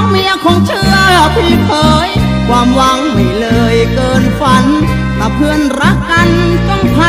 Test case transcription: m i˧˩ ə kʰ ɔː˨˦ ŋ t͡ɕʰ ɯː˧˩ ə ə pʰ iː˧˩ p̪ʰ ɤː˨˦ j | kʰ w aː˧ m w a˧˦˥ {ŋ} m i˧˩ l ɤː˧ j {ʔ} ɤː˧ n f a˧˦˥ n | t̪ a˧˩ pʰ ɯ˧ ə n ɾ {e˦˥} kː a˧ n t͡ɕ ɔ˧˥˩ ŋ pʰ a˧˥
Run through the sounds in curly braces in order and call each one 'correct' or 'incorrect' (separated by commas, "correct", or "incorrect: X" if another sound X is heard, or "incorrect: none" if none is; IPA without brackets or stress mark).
correct, incorrect: k, incorrect: a˦˥